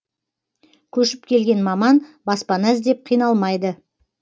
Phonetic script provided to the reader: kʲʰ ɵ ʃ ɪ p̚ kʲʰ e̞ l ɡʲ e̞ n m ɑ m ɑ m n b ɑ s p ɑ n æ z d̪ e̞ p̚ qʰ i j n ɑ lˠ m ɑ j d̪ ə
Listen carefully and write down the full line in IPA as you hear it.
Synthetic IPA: kʲʰ ɵ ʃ ɪ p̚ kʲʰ e̞ l ɡʲ e̞ n m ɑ m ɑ n b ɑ s p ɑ n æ z d̪ e̞ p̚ qʰ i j n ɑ lˠ m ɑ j d̪ ə